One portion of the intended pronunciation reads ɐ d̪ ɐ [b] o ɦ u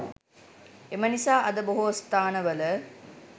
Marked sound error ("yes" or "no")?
no